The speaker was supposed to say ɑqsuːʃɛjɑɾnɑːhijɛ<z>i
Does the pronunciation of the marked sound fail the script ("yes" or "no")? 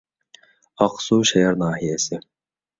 yes